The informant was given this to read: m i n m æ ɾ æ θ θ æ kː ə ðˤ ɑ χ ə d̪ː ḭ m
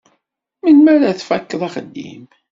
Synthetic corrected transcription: m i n m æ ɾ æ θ f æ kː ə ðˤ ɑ χ ə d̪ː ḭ m